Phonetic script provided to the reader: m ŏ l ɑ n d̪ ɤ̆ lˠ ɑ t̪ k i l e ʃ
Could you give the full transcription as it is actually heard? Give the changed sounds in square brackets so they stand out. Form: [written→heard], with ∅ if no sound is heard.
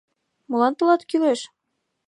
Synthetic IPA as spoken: m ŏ l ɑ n [d̪→t̪] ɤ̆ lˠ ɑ t̪ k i l e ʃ